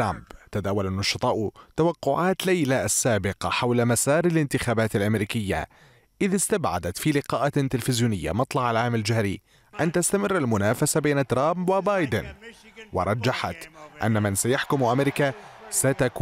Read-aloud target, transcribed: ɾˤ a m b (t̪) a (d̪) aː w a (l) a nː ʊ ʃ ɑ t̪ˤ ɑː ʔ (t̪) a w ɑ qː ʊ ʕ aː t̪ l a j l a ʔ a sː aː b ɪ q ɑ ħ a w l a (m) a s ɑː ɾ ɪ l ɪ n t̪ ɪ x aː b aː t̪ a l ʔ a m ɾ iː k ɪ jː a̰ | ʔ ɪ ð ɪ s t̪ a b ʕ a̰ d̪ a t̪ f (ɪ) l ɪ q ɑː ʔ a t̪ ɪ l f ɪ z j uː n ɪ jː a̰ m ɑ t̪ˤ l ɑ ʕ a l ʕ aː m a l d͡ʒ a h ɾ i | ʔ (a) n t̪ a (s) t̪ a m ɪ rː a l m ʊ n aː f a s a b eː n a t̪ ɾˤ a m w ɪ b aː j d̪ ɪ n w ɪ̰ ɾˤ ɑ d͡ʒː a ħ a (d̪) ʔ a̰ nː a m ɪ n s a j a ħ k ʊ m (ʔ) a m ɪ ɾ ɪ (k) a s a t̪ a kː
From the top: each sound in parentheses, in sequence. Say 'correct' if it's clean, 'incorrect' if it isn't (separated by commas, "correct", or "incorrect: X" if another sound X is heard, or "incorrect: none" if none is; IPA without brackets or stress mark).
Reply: correct, correct, correct, correct, correct, incorrect: i, correct, correct, incorrect: t̪, correct, correct